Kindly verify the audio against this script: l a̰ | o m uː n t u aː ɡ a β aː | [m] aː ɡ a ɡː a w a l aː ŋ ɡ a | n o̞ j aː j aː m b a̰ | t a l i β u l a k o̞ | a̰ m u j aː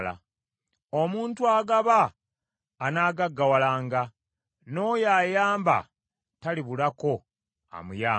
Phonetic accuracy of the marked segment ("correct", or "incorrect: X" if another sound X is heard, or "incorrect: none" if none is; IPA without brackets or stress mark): incorrect: n